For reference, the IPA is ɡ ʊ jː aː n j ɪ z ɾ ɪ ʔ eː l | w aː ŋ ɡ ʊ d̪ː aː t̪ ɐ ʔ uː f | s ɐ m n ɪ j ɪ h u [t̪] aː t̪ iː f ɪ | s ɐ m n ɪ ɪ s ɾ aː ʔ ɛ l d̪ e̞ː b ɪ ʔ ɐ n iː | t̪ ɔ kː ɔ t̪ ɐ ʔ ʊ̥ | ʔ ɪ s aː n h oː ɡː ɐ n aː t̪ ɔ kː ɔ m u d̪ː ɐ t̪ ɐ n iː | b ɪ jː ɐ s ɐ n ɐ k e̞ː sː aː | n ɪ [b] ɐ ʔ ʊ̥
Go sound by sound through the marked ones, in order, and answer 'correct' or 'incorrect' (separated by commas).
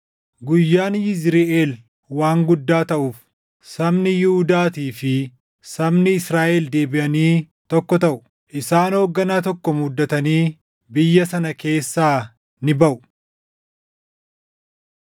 incorrect, correct